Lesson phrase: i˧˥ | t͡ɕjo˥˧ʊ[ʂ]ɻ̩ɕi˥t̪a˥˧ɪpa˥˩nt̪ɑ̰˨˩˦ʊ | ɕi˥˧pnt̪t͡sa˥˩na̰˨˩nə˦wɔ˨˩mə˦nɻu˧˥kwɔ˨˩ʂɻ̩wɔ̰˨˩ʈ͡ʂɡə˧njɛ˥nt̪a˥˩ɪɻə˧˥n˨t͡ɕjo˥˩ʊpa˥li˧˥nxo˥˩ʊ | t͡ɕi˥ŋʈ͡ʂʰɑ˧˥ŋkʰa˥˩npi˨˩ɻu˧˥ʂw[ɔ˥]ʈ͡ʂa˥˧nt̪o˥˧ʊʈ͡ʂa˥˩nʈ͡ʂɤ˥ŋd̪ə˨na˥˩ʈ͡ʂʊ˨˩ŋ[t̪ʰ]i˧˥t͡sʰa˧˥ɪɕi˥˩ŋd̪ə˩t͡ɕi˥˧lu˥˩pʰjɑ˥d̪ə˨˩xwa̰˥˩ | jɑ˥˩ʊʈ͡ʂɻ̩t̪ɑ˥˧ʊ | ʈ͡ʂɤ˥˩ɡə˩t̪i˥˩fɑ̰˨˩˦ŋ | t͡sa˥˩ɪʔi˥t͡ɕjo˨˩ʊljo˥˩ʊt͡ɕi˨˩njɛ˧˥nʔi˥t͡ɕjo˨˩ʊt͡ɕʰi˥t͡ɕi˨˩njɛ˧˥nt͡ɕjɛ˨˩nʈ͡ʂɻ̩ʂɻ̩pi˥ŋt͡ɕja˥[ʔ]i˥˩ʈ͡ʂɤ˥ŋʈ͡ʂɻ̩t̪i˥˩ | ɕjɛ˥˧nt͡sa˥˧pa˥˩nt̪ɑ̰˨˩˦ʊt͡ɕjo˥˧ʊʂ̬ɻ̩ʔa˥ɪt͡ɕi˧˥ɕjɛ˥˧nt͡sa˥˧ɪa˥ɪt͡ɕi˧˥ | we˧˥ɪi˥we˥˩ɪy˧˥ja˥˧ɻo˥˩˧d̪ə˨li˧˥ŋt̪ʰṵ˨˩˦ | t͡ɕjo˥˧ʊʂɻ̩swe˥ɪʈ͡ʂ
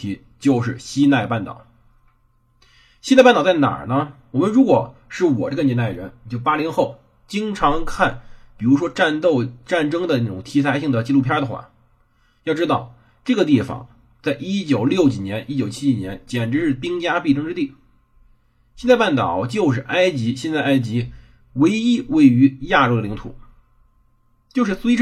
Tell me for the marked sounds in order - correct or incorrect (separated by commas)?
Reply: correct, correct, correct, incorrect